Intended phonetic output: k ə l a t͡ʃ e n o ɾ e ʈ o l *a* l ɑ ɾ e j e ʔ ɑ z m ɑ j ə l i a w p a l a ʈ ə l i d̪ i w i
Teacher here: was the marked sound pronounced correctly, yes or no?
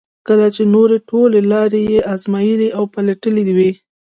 no